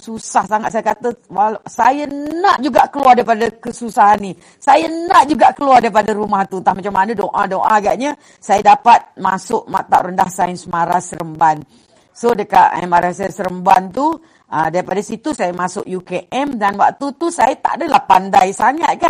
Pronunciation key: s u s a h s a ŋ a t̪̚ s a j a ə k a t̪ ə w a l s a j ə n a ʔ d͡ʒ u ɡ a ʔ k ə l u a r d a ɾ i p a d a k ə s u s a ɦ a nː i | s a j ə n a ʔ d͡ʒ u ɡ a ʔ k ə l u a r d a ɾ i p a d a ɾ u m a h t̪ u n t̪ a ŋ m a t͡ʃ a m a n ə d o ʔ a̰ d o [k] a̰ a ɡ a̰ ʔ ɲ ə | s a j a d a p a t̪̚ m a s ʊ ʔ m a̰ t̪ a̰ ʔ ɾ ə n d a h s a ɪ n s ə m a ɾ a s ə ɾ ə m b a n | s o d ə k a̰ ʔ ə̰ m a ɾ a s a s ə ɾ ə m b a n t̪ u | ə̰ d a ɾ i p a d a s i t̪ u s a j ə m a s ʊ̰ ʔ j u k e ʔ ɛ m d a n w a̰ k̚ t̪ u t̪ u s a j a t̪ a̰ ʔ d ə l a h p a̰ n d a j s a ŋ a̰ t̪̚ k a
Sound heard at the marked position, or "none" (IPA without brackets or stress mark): ʔ